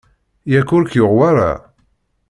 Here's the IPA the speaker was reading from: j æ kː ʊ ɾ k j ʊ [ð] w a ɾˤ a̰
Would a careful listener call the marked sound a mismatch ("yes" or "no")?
yes